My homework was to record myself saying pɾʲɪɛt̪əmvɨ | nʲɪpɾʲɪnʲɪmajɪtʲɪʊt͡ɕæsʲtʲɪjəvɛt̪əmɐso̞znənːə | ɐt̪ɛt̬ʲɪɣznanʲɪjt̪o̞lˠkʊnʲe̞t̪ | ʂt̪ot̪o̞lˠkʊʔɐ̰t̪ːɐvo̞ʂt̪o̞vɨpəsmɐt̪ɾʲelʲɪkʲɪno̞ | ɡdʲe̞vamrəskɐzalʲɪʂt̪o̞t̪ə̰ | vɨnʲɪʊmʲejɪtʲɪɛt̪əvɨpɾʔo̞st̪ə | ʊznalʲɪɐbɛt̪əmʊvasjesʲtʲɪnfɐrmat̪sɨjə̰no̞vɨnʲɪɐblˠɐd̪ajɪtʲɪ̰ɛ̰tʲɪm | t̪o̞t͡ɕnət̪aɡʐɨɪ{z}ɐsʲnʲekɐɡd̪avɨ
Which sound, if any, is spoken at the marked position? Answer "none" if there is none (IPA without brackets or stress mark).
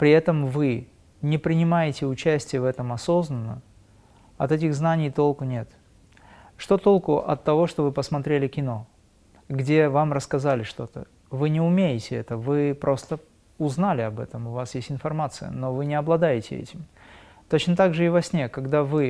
v